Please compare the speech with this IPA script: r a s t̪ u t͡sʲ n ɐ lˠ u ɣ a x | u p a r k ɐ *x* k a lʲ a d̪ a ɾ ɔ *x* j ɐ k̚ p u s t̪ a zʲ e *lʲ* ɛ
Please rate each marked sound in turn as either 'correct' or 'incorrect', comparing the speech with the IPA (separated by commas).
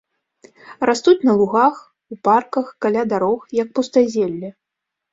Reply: correct, correct, incorrect